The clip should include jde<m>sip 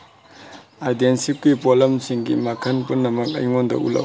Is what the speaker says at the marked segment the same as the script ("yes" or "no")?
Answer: no